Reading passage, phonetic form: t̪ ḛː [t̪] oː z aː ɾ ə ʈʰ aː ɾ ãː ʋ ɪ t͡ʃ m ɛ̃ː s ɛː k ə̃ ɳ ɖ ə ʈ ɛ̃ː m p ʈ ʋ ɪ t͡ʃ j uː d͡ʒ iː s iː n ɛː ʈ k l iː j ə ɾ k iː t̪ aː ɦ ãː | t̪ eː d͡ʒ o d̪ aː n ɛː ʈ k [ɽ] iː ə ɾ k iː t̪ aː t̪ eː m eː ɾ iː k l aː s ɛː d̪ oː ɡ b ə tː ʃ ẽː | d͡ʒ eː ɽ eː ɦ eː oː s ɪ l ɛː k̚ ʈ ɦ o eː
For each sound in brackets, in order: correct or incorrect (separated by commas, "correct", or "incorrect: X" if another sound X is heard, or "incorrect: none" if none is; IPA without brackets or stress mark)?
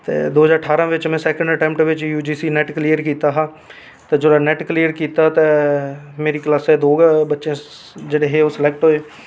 incorrect: d̪, incorrect: l